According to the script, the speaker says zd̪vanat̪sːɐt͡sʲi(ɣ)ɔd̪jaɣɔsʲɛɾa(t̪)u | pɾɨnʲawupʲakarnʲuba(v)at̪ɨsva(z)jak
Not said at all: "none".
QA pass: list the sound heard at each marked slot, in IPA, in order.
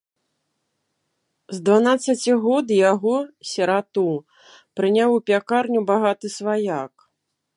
ɣ, t̪, ɣ, none

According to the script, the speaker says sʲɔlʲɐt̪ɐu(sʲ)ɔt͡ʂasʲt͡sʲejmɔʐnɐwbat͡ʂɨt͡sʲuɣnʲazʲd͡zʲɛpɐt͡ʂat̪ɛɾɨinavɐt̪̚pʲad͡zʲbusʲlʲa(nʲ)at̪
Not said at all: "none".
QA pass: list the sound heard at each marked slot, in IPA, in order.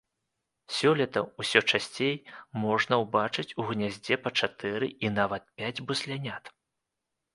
sʲ, nʲ

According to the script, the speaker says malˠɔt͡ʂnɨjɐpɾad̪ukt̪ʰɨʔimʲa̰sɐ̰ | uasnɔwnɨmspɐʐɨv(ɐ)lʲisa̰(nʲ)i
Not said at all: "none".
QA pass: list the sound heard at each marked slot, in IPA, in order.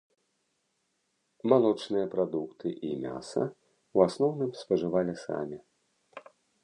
a, mʲ

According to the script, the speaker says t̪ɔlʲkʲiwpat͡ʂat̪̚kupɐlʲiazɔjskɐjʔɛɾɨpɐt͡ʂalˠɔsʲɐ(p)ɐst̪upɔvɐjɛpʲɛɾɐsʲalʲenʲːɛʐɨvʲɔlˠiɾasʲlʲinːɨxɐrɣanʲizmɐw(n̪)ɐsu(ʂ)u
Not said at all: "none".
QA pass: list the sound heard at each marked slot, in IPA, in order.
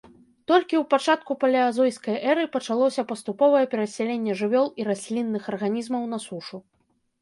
p, n̪, ʂ

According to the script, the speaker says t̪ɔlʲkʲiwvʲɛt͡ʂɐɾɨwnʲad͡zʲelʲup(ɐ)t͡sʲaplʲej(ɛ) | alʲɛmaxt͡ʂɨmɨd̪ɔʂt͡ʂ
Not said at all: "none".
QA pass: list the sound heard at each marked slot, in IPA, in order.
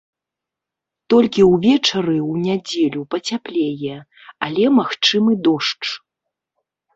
ɐ, ɛ

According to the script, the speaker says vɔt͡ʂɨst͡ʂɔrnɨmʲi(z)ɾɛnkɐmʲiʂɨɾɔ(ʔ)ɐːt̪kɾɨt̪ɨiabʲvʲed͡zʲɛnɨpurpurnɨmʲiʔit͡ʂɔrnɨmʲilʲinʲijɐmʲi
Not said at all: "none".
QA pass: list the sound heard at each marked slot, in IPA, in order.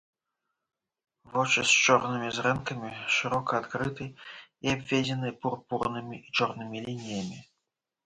z, k

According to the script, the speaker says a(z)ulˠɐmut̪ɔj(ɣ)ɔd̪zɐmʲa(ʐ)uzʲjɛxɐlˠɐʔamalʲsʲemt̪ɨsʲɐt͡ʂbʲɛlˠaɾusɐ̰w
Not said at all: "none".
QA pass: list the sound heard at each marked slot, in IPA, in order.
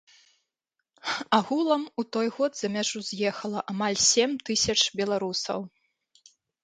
ɣ, ɣ, ʐ

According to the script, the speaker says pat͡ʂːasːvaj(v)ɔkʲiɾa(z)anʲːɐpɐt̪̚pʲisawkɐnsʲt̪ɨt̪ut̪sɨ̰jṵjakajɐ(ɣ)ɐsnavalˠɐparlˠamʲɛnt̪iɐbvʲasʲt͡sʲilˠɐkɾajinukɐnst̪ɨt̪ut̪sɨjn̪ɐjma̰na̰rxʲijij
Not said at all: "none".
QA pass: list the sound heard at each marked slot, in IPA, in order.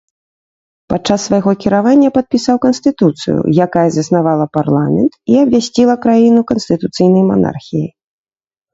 ɣ, v, z

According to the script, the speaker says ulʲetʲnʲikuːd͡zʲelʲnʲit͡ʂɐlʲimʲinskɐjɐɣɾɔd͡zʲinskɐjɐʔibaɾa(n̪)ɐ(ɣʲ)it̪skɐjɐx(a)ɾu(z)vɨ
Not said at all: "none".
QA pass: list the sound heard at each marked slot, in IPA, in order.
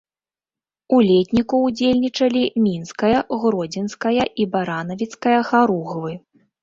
n̪, vʲ, a, ɣ

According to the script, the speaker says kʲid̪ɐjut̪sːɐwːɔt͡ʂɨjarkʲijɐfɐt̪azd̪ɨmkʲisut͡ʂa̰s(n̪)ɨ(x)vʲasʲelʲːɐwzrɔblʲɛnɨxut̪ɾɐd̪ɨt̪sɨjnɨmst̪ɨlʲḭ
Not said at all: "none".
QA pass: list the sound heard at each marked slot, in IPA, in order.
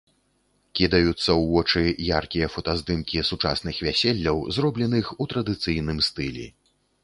n̪, x

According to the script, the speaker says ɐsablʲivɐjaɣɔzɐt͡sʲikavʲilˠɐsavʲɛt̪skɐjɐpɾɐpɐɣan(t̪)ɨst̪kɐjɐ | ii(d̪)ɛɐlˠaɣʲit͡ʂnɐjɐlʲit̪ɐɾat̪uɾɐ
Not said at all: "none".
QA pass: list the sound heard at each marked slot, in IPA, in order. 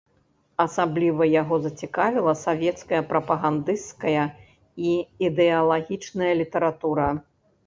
d̪, d̪

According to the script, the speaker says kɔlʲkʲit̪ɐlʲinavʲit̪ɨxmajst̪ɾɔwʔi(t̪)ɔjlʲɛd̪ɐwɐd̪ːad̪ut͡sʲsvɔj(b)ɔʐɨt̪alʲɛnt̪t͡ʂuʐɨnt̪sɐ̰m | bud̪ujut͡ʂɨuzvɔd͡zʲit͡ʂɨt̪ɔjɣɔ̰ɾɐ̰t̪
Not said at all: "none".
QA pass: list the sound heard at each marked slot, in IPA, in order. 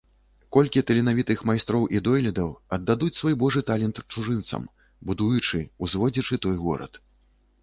d̪, b

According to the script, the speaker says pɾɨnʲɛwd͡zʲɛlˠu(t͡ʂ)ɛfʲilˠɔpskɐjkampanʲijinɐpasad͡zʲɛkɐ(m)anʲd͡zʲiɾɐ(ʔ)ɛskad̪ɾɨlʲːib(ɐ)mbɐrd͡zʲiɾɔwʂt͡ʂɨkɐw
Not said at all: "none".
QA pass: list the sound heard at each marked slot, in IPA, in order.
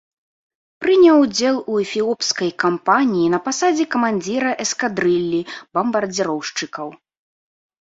none, m, ʔ, ɐ

